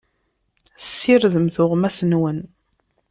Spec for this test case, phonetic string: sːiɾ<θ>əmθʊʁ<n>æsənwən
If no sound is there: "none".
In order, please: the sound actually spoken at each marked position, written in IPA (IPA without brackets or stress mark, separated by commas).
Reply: ð, m